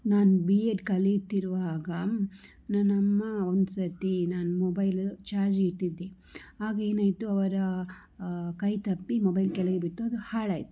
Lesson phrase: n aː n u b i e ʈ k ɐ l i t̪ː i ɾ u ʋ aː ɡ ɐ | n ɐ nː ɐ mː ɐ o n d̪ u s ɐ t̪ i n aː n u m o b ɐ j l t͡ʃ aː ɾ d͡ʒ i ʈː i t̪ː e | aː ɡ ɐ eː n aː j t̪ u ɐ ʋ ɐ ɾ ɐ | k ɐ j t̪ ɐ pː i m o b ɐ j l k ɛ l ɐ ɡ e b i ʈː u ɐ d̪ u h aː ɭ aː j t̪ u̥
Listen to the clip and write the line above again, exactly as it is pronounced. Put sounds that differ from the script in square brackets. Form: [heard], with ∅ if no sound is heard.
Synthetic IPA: n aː n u b i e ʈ k ɐ l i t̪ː i ɾ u ʋ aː ɡ ɐ | n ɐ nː ɐ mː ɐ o n d̪ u s ɐ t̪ i n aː n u m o b ɐ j l t͡ʃ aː ɾ d͡ʒ i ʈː i [d̪ː] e | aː ɡ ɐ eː n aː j t̪ u ɐ ʋ ɐ ɾ ɐ | k ɐ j t̪ ɐ pː i m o b ɐ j l k ɛ l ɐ ɡ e b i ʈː u ɐ d̪ u h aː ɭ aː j t̪ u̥